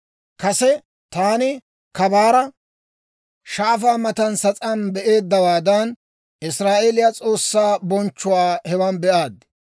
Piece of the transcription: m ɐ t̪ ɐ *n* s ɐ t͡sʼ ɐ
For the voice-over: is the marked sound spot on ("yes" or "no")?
yes